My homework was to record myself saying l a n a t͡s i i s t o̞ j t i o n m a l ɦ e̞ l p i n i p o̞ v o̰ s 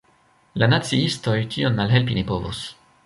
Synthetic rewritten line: l a n a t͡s i i s t o̞ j t i o n m a l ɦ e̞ l p i n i p o̞ v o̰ s